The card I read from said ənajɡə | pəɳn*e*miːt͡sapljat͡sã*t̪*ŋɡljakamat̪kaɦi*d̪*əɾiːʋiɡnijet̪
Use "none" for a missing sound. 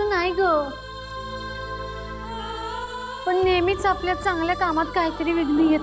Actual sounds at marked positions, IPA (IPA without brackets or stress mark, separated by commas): e, none, t̪